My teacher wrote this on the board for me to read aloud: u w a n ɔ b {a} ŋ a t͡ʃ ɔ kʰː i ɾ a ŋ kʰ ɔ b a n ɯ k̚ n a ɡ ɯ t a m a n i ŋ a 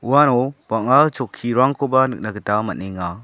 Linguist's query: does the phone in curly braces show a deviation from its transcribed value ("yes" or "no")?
no